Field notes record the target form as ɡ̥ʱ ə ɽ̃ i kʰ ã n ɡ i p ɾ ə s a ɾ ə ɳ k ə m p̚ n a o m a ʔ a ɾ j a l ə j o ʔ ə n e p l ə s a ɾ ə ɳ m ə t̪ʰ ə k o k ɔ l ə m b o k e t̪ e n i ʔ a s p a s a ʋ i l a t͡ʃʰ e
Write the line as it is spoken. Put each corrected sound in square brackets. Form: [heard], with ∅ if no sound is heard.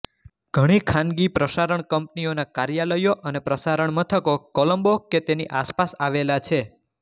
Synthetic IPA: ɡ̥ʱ ə ɽ̃ i kʰ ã n ɡ i p ɾ ə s a ɾ ə ɳ k ə m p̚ n [i] o [n] a [k] a ɾ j a l ə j o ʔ ə n e p [ɾ] ə s a ɾ ə ɳ m ə t̪ʰ ə k o k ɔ l ə m b o k e t̪ e n i ʔ a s p a s a ʋ [e] l a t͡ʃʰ e